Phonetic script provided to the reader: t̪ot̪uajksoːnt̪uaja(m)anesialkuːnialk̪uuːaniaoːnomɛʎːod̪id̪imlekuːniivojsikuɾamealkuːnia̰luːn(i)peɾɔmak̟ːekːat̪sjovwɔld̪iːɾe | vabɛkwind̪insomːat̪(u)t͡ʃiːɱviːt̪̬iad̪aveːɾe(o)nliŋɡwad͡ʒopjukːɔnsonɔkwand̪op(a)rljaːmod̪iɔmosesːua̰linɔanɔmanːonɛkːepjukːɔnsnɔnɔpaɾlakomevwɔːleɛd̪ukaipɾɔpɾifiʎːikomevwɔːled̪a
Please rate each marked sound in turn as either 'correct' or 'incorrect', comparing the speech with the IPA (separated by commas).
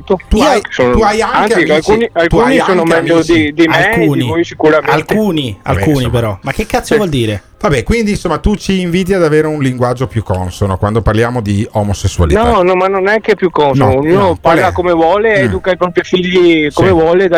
incorrect, correct, correct, incorrect, correct